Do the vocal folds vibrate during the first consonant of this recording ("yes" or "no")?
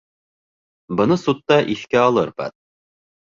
yes